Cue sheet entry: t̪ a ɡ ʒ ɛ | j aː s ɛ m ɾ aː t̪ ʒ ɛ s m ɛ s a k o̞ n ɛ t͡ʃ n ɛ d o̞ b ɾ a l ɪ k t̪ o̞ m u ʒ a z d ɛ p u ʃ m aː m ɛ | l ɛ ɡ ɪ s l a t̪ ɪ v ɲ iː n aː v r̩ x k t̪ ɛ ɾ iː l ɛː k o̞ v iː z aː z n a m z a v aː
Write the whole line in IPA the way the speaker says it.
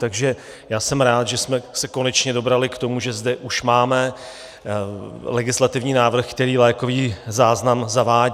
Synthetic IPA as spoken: t̪ a ɡ ʒ ɛ | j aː s ɛ m ɾ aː t̪ ʒ ɛ s m ɛ s ɛ k o̞ n ɛ t͡ʃ ɲ ɛ d o̞ b ɾ a l ɪ k t̪ o̞ m u ʒ ɛ z d ɛ ʔ u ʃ m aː m ɛ | l ɛ ɡ ɪ s l a t̪ ɪ v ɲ iː n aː v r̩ x k t̪ ɛ ɾ iː l ɛː k o̞ v iː z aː z n a m z a v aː